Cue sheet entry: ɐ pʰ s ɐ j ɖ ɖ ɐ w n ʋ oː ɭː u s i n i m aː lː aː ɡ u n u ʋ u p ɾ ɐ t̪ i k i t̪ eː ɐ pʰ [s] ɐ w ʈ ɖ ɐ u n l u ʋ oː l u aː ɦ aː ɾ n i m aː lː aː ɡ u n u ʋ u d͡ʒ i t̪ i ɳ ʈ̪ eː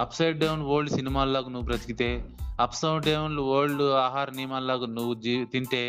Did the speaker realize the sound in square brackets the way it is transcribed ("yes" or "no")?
yes